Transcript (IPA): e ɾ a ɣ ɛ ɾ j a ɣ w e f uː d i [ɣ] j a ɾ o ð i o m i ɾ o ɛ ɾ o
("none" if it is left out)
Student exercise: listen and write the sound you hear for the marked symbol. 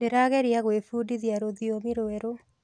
ð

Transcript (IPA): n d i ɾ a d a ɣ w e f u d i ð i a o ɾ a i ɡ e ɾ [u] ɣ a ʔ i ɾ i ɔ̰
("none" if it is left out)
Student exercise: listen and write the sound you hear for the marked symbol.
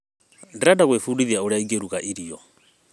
u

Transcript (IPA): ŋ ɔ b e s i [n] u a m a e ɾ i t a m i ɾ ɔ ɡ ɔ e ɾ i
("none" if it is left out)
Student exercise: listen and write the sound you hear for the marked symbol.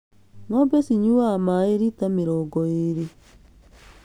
ɲ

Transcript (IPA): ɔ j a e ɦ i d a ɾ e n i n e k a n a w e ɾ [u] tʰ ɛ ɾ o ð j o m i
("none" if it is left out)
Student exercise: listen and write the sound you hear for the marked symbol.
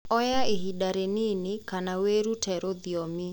u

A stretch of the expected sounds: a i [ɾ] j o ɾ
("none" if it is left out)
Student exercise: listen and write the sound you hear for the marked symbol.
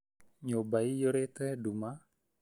none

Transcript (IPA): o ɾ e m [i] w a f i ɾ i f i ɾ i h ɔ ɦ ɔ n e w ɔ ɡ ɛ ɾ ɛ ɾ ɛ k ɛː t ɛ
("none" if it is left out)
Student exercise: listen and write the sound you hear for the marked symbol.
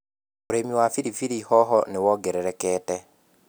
i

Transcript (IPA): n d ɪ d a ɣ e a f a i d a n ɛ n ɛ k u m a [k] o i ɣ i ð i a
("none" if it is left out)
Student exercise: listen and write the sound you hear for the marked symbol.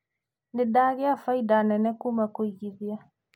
k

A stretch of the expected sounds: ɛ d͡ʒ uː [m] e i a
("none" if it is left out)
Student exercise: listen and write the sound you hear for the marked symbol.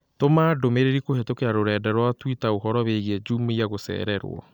m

